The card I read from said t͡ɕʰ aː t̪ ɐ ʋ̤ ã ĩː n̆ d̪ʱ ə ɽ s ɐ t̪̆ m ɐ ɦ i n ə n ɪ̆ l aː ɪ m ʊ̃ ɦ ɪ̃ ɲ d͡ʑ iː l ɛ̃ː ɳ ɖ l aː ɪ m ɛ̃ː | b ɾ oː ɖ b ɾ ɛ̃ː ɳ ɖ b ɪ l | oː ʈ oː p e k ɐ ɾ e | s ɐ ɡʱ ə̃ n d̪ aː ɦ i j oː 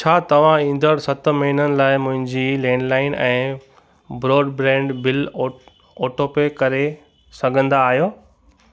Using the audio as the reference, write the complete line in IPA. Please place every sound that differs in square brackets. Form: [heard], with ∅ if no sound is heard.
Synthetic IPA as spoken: t͡ɕʰ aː t̪ ɐ ʋ̤ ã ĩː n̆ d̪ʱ ə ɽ s ɐ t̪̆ m ɐ ɦ i n ə n ɪ̆ l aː ɪ m ʊ̃ ɦ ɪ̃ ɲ d͡ʑ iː l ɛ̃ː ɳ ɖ l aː ɪ [n] ɛ̃ː | b ɾ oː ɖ b ɾ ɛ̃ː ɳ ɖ b ɪ l | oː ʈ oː p e k ɐ ɾ e | s ɐ ɡʱ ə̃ n d̪ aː ɦ i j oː